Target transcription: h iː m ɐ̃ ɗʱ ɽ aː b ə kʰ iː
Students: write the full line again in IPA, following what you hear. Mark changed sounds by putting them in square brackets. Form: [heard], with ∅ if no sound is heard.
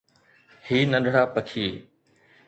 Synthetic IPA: h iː [n] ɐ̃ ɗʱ ɽ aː [p] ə kʰ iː